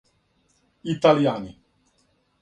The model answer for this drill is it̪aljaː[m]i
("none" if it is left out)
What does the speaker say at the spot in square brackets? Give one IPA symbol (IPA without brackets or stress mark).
n